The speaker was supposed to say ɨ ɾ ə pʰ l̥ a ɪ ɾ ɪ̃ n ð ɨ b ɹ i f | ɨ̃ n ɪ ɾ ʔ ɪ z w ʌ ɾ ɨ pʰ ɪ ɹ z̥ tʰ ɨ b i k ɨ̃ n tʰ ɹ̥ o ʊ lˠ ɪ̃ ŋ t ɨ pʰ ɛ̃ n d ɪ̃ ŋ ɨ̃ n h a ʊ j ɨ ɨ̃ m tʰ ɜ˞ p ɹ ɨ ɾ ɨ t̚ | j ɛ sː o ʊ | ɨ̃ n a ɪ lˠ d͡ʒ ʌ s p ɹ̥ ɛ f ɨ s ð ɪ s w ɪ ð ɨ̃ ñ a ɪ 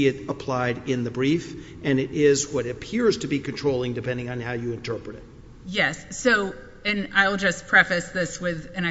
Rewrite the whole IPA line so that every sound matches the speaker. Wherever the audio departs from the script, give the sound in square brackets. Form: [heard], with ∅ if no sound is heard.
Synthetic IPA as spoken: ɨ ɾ ə pʰ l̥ a ɪ ɾ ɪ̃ n ð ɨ b ɹ i f | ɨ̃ n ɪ ɾ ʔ ɪ z w ʌ ɾ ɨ pʰ ɪ ɹ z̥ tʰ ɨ b i k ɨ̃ n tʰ ɹ̥ o ʊ lˠ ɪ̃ ŋ [d] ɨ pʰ ɛ̃ n d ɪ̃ ŋ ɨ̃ n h a ʊ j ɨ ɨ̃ [n] tʰ ɜ˞ p ɹ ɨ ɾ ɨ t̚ | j ɛ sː o ʊ | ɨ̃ n a ɪ lˠ d͡ʒ ʌ s [pʰ] ɹ̥ ɛ f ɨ s ð ɪ s w ɪ ð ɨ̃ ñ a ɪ